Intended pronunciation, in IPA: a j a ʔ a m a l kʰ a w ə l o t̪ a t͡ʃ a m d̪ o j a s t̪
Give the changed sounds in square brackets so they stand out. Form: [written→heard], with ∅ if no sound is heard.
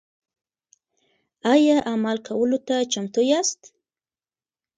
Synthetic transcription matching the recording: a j a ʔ a m a l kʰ a w ə l o t̪ a t͡ʃ a m [d̪→t̪] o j a s t̪